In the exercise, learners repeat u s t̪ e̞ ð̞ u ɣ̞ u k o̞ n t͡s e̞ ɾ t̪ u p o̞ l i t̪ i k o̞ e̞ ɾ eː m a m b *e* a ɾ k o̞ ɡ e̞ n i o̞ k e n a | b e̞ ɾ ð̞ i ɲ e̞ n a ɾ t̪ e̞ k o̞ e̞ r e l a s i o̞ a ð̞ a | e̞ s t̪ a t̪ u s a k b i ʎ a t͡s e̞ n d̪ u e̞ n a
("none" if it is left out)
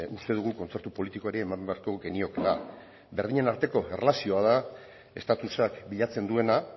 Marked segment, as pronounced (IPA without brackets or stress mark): e